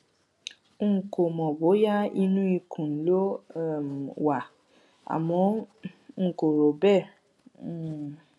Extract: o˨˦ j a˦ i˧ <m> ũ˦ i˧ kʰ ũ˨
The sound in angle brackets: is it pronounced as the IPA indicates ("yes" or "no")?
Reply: no